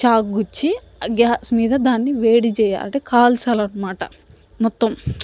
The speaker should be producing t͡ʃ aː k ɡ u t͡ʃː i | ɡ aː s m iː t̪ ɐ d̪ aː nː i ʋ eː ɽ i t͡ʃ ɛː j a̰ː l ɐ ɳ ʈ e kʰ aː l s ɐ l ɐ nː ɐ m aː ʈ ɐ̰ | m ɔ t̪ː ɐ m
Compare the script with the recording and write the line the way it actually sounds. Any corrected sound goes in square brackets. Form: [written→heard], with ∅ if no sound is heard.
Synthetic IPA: t͡ʃ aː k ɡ u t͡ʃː i | ɡ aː s m iː [t̪→d̪] ɐ d̪ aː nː i ʋ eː ɽ i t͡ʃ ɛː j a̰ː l ɐ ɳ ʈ e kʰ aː l s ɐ l ɐ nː ɐ m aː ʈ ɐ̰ | m ɔ t̪ː ɐ m